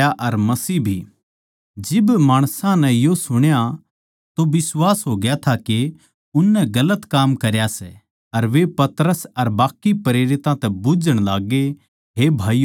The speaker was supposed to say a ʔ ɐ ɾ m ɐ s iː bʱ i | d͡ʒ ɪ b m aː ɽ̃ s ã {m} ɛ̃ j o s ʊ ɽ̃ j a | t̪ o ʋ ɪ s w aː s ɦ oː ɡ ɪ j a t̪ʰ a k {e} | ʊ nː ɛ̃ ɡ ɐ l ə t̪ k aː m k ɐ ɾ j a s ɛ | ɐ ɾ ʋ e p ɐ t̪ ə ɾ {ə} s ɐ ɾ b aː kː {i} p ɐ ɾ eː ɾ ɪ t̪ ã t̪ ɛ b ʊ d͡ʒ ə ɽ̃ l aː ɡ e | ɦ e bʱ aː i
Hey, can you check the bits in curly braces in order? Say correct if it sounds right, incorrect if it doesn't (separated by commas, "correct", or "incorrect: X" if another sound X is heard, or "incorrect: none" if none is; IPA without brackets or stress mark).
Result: incorrect: n, correct, correct, correct